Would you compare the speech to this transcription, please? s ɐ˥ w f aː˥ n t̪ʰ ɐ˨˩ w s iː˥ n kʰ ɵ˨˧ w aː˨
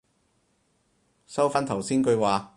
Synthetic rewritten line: s ɐ˥ w f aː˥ n t̪ʰ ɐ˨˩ w s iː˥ n k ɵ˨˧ w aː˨